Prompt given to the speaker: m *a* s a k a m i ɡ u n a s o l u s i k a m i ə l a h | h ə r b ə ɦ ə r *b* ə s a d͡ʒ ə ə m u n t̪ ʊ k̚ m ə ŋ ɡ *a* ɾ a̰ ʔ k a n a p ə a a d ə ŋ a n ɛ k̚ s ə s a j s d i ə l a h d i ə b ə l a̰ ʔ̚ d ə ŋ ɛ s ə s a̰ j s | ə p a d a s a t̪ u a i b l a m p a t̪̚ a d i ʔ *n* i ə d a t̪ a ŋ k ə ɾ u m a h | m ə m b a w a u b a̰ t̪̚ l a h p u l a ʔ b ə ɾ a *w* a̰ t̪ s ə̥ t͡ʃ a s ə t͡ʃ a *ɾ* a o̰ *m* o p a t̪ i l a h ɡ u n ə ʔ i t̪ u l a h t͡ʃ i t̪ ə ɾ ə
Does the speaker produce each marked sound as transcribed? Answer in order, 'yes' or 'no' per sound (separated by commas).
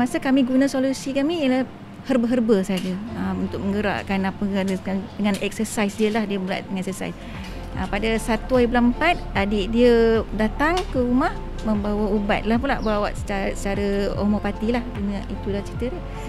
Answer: yes, yes, no, no, yes, yes, yes